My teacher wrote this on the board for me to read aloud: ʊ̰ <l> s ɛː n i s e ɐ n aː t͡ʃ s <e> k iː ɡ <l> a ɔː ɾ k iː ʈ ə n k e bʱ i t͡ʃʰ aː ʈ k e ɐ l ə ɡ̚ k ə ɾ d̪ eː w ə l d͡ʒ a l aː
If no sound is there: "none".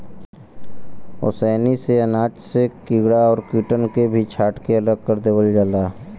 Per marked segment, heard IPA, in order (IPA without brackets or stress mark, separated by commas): none, e, ɽ